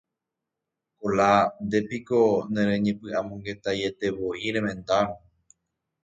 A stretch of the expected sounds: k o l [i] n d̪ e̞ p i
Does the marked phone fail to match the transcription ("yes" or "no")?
yes